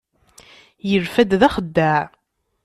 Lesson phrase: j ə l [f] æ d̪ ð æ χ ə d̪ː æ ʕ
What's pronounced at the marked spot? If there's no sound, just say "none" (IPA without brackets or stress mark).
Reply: f